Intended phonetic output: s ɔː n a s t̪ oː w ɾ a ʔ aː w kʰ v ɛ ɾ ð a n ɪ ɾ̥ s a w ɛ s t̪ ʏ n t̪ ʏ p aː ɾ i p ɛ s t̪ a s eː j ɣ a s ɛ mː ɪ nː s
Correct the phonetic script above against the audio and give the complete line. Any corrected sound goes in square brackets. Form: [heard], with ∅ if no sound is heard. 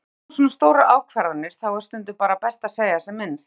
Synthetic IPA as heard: s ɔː n a s t̪ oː w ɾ a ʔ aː w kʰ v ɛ ɾ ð a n ɪ ɾ̥ [θ] a w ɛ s t̪ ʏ n t̪ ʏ p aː ɾ [a] p ɛ s t̪ a s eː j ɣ a s ɛ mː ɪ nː s